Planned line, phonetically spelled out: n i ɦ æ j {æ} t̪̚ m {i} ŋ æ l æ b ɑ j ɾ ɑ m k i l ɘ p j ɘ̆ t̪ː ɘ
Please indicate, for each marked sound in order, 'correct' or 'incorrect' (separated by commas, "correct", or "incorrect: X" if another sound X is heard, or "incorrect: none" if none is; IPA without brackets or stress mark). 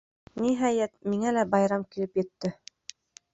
correct, correct